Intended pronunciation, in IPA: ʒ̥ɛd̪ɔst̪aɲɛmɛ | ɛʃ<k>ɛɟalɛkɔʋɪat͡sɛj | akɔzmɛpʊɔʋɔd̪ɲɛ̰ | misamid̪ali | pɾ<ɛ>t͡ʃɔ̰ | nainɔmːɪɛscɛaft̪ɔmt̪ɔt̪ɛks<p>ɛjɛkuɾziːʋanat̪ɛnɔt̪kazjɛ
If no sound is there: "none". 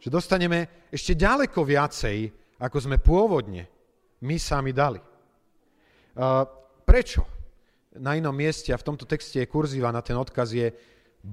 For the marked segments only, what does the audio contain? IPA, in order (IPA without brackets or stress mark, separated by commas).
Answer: c, ɛ, c